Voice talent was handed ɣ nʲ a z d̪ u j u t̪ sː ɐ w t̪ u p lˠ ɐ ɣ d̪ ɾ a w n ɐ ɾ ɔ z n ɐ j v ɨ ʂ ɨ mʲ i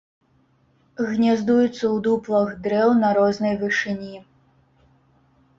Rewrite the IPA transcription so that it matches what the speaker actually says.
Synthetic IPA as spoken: ɣ nʲ a z d̪ u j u t̪ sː ɐ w d̪ u p lˠ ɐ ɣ d̪ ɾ ɛ w n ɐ ɾ ɔ z n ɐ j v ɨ ʂ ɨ nʲ i